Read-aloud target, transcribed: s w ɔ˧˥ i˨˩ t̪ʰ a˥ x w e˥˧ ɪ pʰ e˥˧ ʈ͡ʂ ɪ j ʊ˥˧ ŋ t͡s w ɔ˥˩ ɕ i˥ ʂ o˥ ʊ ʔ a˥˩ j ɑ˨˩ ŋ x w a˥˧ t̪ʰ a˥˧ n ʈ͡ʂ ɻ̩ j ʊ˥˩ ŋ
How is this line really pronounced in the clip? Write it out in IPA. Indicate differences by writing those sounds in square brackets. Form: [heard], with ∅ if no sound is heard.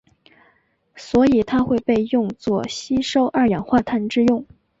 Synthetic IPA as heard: s w ɔ˧˥ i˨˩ t̪ʰ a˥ x w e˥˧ ɪ [p] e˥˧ [∅] ɪ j ʊ˥˧ ŋ t͡s w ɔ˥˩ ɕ i˥ ʂ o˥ ʊ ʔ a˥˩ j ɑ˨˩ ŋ x w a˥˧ t̪ʰ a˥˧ n ʈ͡ʂ ɻ̩ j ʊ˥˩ ŋ